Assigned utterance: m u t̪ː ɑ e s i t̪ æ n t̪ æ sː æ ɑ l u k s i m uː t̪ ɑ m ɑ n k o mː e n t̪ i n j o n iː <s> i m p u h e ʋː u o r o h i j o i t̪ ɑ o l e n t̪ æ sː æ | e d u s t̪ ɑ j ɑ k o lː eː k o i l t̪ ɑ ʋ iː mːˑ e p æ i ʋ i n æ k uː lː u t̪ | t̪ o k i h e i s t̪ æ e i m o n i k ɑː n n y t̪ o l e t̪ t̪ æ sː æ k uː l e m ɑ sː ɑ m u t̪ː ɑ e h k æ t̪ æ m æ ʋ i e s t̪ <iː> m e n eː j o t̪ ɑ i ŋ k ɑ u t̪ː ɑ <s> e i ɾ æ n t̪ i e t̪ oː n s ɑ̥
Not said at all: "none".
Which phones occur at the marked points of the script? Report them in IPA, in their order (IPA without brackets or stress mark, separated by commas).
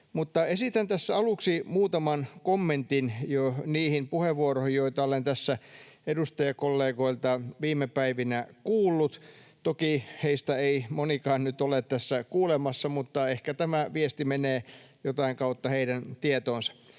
h, i, h